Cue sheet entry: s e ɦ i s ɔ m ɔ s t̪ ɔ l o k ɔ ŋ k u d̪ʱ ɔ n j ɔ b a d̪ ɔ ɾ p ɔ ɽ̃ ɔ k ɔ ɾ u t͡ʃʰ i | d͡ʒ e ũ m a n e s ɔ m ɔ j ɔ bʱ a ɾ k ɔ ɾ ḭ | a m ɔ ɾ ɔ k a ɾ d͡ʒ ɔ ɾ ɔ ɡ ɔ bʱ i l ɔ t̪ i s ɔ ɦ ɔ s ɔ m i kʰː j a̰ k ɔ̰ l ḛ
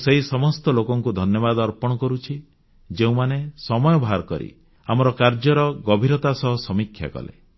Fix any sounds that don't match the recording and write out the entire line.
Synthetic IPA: s e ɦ i s ɔ m ɔ s t̪ ɔ l o k ɔ ŋ k u d̪ʱ ɔ n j ɔ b a d̪ ɔ ɾ p ɔ ɽ̃ ɔ k ɔ ɾ u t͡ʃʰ i | d͡ʒ e ũ m a n e s ɔ m ɔ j ɔ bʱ a ɾ k ɔ ɾ ḭ | a m ɔ ɾ ɔ k a ɾ d͡ʒ ɔ ɾ ɔ ɡ ɔ bʱ i ɾ ɔ t̪ a s ɔ ɦ ɔ s ɔ m i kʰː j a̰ k ɔ̰ l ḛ